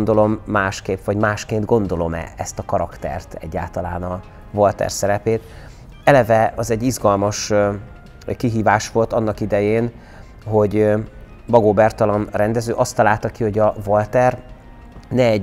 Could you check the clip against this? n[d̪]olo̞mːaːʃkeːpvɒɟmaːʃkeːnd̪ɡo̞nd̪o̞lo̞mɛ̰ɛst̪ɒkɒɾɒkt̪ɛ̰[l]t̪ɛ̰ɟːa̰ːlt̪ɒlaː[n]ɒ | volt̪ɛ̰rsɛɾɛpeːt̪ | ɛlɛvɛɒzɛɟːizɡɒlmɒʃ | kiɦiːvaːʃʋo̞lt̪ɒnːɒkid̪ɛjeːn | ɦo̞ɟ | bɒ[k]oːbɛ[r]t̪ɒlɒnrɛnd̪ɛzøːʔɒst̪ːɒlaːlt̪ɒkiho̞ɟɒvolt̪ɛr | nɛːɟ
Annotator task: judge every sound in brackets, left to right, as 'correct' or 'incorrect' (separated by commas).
correct, incorrect, correct, incorrect, correct